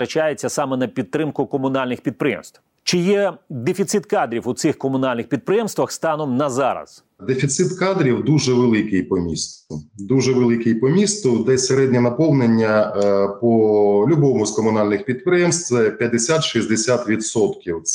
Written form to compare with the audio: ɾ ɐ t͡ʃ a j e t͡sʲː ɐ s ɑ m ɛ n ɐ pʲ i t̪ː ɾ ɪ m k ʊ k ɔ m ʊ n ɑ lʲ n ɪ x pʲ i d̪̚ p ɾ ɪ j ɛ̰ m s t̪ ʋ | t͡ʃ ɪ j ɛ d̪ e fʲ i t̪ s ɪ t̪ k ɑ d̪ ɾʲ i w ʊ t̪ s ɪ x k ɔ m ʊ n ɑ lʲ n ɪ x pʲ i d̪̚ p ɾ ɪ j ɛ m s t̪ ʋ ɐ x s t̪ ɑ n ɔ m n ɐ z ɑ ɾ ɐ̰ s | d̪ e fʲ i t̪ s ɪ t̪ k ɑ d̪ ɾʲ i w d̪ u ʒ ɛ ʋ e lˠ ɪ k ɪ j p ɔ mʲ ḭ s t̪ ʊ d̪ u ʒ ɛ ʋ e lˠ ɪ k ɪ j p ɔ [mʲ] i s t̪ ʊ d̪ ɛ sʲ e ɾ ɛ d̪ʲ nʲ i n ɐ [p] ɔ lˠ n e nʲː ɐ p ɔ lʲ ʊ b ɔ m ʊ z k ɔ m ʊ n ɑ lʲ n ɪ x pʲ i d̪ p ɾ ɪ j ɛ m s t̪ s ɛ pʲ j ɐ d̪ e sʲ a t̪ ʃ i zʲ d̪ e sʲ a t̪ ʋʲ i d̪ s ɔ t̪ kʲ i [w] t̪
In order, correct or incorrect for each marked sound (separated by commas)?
correct, correct, correct